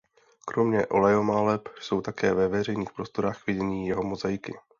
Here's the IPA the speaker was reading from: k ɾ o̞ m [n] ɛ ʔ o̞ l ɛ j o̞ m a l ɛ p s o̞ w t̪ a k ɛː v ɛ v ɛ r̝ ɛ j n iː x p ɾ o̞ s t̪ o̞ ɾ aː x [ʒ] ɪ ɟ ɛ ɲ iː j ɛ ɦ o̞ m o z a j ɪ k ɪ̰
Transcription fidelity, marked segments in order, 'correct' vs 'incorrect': incorrect: ɲ, incorrect: v

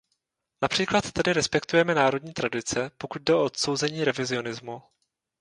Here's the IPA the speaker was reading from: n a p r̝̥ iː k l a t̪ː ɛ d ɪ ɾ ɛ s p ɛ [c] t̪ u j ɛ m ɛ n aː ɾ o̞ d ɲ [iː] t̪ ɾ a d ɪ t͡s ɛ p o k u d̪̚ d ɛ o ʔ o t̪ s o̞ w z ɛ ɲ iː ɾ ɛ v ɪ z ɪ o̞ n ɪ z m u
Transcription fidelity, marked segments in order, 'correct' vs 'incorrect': incorrect: k, correct

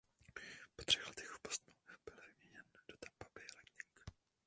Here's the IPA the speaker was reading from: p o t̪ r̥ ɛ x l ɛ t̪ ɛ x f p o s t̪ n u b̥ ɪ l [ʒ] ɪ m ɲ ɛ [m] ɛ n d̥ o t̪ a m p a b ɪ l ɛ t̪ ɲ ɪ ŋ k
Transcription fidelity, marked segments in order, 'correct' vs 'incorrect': incorrect: v, incorrect: ɲ

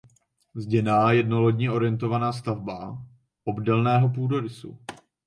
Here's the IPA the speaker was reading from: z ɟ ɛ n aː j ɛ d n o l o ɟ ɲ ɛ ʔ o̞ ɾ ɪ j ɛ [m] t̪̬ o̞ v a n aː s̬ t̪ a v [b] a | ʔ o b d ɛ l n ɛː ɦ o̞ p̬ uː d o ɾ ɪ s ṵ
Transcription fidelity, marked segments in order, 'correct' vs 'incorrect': incorrect: n, correct

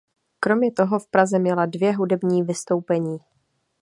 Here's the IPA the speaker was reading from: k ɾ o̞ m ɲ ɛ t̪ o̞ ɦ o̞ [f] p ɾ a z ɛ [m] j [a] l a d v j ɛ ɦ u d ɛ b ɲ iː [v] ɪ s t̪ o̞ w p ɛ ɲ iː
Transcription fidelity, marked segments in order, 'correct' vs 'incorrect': correct, correct, incorrect: ɛ, correct

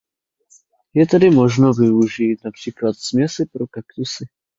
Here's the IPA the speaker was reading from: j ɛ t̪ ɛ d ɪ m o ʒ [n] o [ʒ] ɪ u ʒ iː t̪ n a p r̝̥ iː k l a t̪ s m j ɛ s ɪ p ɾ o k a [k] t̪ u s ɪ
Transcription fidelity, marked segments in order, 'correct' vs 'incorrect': correct, incorrect: v, correct

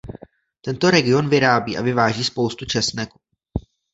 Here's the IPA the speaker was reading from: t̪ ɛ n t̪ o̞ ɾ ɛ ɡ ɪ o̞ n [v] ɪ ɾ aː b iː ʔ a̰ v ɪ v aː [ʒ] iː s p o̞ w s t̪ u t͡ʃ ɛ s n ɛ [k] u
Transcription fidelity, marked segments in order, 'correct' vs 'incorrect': correct, correct, correct

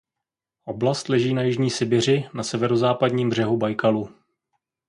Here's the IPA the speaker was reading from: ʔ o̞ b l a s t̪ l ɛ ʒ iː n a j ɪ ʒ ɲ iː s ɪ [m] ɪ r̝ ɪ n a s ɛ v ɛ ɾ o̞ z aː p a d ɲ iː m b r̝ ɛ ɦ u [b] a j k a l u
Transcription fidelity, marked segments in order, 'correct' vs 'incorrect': incorrect: b, correct

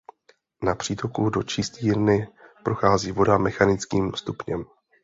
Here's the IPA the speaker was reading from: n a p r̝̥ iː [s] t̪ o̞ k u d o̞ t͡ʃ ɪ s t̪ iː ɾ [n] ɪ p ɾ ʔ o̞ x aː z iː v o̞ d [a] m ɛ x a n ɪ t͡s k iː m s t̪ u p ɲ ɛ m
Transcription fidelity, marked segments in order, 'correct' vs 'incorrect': incorrect: none, correct, correct

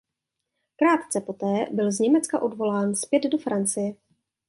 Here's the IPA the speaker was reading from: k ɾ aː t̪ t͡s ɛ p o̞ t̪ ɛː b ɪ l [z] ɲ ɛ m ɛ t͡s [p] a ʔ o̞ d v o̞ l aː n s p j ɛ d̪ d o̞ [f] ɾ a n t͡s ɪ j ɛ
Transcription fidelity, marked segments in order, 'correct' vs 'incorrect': correct, incorrect: k, correct

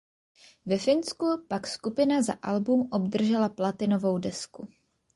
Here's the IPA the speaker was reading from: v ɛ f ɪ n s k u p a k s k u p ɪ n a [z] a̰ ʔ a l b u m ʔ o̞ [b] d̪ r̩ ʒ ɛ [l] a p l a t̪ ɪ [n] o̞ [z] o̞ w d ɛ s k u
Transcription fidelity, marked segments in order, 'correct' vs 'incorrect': correct, correct, correct, correct, incorrect: v

